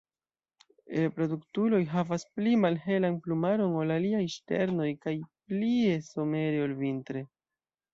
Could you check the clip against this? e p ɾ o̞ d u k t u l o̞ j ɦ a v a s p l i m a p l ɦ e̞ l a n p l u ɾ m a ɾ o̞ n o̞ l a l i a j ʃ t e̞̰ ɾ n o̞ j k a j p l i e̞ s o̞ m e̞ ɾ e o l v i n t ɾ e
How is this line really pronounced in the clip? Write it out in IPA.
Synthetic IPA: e p ɾ o̞ d u k t u l o̞ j ɦ a v a s p l i m a l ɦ e̞ l a n p l u m a ɾ o̞ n o̞ l a l i a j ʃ t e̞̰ ɾ n o̞ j k a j p l i e̞ s o̞ m e̞ ɾ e o l v i n t ɾ e